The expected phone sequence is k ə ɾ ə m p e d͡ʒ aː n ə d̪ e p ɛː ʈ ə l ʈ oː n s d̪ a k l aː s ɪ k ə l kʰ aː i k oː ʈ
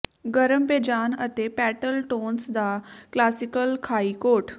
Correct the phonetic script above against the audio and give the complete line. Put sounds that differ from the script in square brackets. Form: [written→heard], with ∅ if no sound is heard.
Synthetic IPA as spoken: [k→ɡ] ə ɾ ə m p e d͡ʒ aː n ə [d̪→t̪] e p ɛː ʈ ə l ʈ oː n s d̪ a k l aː s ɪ k ə l kʰ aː i k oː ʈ